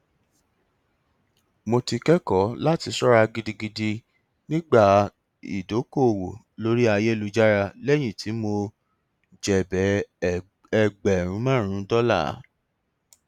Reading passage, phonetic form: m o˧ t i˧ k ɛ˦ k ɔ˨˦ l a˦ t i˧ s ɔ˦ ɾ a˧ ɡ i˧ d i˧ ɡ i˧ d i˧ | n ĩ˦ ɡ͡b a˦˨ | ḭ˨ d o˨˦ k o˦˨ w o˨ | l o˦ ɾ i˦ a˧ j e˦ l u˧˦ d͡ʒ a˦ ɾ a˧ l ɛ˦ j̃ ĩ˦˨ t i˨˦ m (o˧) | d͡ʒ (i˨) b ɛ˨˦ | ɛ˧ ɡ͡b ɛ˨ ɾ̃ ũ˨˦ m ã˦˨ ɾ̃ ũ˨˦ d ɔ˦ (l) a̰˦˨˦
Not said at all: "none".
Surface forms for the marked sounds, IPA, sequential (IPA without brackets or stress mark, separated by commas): o˧, ɛ˨, l